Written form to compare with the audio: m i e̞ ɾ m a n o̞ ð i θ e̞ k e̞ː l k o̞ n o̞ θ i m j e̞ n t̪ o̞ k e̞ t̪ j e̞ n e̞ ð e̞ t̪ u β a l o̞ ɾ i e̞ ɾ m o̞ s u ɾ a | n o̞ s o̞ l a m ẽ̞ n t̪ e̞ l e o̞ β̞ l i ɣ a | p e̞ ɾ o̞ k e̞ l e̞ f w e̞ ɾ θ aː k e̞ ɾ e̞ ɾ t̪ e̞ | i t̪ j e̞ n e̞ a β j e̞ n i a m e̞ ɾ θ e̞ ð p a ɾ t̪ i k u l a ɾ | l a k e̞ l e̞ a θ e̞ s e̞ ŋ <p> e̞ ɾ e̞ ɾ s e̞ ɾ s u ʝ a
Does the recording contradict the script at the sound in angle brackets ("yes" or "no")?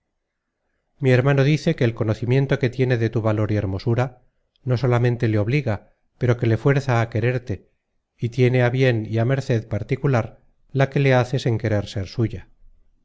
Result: yes